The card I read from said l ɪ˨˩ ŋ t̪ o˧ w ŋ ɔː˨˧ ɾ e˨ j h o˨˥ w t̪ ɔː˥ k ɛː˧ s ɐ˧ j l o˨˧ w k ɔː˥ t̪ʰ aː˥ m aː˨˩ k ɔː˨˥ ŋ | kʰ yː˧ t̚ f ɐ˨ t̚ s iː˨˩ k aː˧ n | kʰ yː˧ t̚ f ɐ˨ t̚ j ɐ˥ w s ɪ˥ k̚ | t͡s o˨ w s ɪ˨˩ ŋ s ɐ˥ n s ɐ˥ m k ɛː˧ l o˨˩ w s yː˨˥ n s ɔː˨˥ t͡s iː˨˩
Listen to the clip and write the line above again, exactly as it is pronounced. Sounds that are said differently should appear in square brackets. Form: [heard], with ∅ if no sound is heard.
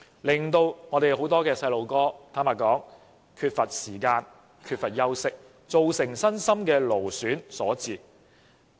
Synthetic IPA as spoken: l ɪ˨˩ ŋ t̪ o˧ w ŋ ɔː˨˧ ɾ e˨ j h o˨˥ w t̪ ɔː˥ k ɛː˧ s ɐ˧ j l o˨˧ w k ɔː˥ t̪ʰ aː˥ m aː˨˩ k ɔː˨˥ ŋ | kʰ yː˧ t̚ f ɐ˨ t̚ s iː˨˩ k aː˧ n | kʰ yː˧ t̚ f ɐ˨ t̚ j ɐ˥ w s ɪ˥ k̚ | t͡s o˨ w s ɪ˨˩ ŋ s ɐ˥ n s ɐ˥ m k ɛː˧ l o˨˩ w s yː˨˥ n s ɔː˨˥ t͡s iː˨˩